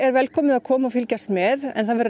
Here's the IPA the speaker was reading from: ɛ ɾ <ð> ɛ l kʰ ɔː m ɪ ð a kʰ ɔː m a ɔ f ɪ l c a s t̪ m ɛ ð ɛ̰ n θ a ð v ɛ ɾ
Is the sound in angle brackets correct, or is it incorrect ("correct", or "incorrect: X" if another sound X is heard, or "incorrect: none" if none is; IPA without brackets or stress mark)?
incorrect: v